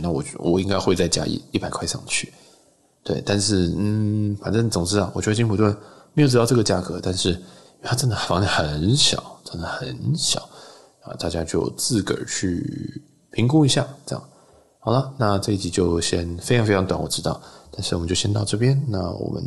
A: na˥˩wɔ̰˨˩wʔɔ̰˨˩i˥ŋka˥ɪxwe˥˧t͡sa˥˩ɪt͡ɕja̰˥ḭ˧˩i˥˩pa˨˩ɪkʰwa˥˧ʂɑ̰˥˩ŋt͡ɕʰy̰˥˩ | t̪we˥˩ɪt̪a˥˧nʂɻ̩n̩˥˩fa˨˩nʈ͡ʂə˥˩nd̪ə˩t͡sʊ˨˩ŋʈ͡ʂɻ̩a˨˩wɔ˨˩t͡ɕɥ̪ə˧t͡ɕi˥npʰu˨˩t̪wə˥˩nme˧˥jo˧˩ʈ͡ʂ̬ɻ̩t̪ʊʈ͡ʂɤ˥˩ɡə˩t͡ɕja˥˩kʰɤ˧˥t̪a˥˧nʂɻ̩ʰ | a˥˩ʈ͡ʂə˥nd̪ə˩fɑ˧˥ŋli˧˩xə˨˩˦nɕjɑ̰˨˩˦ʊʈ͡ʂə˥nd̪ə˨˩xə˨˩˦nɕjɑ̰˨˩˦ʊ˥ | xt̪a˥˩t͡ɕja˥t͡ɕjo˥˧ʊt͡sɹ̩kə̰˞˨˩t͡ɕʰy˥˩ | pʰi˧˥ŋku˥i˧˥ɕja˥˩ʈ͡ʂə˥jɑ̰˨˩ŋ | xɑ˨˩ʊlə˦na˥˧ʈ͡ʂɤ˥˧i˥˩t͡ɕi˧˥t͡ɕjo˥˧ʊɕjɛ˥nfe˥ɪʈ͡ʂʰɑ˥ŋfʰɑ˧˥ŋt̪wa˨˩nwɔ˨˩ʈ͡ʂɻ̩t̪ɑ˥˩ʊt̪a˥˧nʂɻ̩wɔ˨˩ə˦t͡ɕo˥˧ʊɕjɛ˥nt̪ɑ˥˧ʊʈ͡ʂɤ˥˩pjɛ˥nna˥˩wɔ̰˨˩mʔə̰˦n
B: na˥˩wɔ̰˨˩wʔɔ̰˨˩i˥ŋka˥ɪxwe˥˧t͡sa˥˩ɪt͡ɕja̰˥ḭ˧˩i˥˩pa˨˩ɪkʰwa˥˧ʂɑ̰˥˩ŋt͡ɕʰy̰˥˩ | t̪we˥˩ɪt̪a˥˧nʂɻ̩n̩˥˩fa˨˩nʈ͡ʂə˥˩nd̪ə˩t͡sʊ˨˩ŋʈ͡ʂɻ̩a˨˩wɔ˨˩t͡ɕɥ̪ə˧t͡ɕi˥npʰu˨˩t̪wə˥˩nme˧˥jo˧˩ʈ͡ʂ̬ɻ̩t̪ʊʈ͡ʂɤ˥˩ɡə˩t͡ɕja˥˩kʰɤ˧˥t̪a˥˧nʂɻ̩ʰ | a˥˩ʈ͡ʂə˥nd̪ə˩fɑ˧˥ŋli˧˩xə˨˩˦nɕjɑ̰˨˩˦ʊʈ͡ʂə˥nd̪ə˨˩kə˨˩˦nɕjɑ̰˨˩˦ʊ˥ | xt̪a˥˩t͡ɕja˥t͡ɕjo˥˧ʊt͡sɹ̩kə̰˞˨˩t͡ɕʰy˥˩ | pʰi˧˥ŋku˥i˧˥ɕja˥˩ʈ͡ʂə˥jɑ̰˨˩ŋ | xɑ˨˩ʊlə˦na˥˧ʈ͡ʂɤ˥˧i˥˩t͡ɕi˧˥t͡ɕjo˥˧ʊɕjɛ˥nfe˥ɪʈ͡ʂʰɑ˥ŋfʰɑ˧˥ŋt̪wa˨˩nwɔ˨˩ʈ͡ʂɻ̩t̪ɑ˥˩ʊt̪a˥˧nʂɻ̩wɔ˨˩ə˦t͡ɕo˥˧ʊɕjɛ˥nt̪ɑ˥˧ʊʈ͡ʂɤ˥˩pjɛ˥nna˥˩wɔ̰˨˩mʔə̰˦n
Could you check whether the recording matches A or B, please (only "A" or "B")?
A